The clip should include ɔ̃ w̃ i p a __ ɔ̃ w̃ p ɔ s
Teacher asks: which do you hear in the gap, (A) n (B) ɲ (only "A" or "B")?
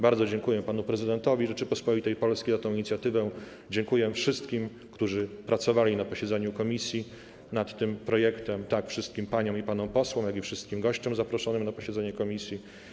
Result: A